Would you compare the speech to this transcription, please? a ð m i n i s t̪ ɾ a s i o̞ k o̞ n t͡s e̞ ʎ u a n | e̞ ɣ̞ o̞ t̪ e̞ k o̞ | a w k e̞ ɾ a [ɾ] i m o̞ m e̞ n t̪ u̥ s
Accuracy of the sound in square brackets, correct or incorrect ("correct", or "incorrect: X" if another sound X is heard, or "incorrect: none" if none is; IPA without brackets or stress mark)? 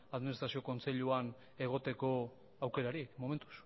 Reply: correct